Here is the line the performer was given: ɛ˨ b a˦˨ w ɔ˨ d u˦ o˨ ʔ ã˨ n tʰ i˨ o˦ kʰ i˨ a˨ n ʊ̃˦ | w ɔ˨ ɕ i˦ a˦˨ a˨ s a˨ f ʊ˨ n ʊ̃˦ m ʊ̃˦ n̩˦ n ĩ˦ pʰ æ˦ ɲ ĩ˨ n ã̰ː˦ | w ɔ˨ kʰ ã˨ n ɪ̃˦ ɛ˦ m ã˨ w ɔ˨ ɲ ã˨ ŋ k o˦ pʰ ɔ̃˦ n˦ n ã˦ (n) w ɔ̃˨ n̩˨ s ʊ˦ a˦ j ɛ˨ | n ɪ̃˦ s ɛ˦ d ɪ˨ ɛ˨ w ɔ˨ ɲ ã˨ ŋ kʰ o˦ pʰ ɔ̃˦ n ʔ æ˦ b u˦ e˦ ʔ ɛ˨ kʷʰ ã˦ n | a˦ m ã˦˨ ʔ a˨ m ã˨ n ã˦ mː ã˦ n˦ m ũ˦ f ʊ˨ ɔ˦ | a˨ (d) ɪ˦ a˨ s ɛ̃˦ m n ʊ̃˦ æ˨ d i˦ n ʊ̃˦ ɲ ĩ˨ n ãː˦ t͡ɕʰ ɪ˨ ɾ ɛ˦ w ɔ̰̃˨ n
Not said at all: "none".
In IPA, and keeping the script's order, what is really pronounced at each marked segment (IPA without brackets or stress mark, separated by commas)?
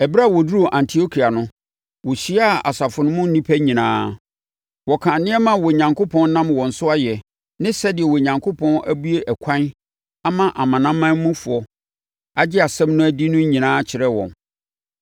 m, d͡ʑ